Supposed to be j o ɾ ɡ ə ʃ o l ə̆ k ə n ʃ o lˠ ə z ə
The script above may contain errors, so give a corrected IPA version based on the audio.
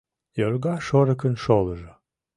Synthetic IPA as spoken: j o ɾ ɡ ɑ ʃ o ɾ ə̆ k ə n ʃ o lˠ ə ʒ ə